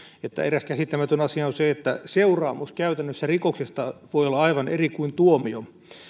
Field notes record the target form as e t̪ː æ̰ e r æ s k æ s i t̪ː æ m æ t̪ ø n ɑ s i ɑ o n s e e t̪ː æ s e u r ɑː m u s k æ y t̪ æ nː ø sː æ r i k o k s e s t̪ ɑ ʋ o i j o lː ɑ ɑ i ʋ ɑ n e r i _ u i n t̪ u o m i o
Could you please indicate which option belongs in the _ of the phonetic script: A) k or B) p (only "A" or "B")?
A